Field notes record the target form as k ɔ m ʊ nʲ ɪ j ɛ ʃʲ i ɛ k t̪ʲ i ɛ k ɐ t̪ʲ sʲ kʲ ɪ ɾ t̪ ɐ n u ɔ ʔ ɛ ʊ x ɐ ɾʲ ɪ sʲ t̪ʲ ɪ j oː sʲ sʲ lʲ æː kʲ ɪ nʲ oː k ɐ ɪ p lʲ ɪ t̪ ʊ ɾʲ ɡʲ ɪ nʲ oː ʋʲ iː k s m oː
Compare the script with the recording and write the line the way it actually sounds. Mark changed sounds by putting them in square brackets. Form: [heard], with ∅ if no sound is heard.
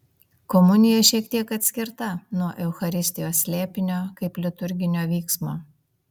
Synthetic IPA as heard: k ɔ m ʊ nʲ ɪ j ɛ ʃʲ i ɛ k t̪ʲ i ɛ k ɐ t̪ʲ sʲ kʲ ɪ ɾ t̪ ɐ n u ɔ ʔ ɛ ʊ x ɐ ɾʲ ɪ sʲ t̪ʲ ɪ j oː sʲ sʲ lʲ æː [pʲ] ɪ nʲ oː k ɐ ɪ p lʲ ɪ t̪ ʊ ɾʲ ɡʲ ɪ nʲ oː ʋʲ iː k s m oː